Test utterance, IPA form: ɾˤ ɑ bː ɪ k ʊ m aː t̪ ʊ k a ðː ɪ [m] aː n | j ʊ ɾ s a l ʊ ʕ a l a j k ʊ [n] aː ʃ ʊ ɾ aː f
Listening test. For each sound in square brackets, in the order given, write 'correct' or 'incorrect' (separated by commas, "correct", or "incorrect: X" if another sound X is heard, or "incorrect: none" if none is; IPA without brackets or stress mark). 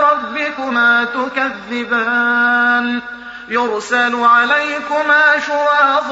incorrect: b, incorrect: m